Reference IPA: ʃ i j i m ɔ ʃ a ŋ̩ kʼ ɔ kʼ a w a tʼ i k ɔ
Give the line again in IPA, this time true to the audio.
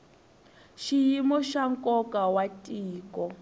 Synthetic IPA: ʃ i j i m ɔ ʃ a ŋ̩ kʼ ɔ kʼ a w a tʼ iː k ɔ